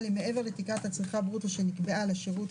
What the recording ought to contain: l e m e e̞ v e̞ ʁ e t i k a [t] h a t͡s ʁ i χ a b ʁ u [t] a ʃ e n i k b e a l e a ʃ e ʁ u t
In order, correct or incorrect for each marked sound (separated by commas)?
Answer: correct, correct